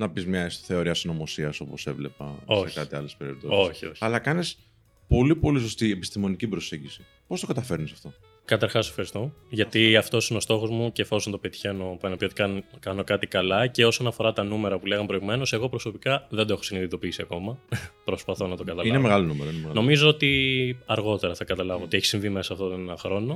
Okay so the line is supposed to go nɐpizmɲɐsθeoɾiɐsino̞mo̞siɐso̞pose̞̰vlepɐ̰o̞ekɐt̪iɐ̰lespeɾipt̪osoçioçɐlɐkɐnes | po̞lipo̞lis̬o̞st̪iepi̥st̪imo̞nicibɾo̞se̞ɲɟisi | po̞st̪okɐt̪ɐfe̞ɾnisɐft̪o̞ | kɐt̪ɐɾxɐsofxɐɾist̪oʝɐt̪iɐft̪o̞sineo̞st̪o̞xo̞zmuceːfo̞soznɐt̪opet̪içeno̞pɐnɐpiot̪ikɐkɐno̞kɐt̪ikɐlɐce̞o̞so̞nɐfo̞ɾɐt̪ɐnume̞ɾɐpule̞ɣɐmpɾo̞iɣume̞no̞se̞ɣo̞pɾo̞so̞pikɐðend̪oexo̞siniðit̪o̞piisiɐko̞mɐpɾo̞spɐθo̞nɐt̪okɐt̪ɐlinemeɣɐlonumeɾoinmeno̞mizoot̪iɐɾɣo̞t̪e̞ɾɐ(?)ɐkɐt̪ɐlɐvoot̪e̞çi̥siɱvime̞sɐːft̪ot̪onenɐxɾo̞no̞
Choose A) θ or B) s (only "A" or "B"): A